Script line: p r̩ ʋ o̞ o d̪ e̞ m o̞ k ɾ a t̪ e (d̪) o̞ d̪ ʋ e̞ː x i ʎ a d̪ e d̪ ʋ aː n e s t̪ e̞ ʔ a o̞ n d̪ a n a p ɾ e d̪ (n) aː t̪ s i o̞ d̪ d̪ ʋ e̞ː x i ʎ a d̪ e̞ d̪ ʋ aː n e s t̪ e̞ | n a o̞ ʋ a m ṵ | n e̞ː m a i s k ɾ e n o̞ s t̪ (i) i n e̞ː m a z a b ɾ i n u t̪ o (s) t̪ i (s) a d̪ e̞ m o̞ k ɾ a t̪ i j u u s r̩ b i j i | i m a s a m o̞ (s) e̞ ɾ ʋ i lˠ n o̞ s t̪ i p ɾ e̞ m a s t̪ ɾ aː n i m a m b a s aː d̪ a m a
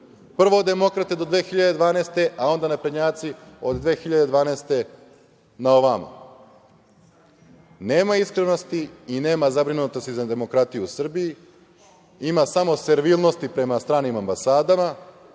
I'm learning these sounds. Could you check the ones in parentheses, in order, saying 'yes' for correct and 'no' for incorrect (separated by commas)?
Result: yes, no, yes, yes, no, yes